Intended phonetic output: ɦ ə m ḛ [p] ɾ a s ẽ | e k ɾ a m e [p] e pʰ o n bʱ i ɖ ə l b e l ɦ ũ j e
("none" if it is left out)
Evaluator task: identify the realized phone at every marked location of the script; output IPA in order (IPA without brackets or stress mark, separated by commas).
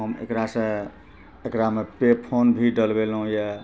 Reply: k, p